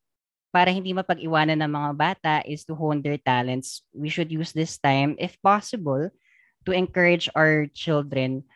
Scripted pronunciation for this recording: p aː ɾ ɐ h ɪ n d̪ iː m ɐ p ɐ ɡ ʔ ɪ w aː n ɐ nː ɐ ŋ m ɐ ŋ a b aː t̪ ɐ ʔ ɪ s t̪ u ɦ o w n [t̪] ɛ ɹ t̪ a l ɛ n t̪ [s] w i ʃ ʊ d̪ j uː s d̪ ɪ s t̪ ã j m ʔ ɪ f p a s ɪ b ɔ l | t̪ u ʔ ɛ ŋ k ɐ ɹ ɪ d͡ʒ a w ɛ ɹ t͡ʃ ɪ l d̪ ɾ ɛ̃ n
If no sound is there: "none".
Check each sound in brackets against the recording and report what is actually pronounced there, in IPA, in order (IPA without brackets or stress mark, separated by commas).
d̪, s